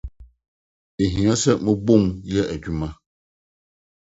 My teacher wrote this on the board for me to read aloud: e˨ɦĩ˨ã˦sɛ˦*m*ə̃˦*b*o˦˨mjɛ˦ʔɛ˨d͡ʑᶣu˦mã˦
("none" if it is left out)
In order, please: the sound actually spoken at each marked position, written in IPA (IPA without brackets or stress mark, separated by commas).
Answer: m, b